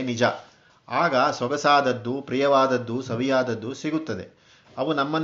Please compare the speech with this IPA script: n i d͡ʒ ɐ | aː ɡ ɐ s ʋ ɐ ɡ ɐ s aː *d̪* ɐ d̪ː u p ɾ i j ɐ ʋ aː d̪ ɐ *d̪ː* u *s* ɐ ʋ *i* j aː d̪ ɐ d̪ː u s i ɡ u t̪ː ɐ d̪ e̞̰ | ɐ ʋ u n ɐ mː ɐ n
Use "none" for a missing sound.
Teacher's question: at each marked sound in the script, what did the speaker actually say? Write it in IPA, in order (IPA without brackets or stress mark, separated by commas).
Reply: d̪, d̪ː, s, i